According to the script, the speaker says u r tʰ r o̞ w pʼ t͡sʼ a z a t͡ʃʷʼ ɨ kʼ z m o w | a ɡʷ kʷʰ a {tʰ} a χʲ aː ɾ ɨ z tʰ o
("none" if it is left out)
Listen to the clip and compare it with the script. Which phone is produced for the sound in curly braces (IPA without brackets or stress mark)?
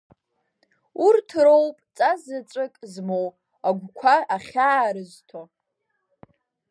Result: none